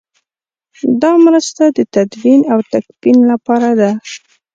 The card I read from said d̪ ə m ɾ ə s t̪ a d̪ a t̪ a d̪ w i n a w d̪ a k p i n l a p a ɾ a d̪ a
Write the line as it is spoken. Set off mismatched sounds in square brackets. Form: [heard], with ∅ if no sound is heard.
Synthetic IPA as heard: d̪ [ɑ] m ɾ ə s t̪ a d̪ [ə] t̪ a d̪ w i n a w [t̪] a k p i n l a p [ɑ] ɾ a d̪ a